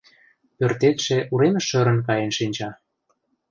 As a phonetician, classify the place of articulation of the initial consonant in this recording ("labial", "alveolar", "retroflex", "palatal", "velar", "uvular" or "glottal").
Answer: labial